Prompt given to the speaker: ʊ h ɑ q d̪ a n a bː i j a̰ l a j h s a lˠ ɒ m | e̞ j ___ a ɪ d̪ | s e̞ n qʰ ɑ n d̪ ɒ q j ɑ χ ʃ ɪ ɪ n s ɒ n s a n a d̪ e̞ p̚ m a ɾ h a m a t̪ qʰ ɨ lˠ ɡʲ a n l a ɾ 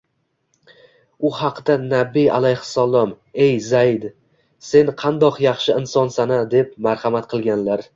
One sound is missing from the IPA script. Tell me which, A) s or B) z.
B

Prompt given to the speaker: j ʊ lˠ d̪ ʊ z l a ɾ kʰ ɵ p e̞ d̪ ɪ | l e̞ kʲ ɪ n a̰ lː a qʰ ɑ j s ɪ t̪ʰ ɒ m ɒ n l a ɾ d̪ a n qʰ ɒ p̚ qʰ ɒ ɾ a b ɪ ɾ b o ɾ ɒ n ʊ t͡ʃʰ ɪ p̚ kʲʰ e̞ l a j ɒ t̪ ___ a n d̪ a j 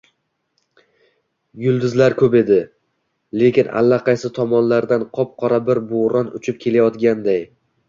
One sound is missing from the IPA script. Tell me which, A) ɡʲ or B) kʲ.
A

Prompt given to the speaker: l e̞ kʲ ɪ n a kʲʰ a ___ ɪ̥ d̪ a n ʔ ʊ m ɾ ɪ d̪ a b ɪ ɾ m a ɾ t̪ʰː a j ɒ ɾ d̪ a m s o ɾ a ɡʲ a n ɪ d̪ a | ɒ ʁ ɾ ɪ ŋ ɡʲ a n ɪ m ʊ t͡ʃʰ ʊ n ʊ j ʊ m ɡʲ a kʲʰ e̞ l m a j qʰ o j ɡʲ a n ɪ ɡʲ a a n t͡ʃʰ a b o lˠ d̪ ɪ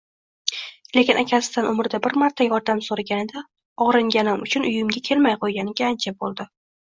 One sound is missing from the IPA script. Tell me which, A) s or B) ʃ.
A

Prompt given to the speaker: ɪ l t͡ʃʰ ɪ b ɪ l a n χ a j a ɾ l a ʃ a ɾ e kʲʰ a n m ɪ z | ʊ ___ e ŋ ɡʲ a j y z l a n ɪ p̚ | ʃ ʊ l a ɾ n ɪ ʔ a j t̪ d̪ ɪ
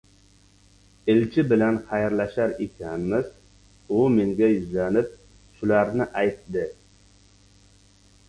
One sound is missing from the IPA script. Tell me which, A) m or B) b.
A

